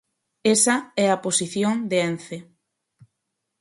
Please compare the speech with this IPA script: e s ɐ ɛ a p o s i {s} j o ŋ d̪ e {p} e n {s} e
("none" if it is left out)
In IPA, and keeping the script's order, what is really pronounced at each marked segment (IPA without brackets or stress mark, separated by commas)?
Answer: θ, none, θ